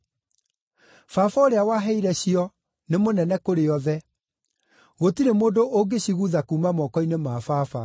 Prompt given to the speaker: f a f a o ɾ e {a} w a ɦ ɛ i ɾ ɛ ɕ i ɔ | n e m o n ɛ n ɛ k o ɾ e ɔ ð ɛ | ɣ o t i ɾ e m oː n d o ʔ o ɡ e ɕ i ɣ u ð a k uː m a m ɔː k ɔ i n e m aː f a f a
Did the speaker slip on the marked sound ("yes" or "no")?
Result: no